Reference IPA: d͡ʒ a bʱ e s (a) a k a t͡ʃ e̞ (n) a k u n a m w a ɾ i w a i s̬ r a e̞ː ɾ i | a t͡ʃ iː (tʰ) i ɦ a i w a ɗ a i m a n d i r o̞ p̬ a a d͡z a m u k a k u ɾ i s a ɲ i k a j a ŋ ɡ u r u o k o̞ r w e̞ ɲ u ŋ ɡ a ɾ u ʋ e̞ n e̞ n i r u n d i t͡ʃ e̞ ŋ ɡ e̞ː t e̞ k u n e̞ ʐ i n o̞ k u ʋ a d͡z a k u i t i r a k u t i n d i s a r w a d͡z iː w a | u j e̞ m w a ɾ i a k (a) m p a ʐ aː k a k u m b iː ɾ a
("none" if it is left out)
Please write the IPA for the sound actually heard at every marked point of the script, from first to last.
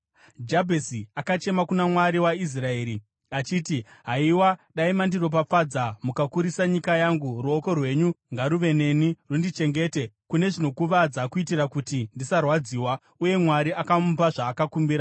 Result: i, m, t, a

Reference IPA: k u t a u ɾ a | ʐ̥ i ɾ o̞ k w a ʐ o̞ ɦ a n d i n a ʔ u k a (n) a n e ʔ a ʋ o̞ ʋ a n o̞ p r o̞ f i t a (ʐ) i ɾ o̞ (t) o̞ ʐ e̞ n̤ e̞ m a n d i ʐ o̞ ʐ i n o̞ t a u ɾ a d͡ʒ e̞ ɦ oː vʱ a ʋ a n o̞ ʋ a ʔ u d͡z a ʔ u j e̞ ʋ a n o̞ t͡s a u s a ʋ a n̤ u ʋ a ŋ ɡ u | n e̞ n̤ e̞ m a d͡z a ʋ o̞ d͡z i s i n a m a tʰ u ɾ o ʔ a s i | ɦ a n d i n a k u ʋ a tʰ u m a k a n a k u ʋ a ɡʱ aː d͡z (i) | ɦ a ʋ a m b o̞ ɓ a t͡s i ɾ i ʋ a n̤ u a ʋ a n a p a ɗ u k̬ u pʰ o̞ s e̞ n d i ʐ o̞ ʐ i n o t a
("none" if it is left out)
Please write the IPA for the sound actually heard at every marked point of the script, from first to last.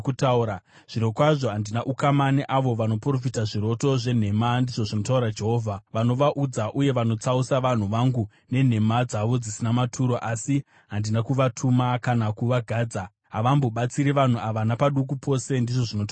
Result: m, ʐ, t, a

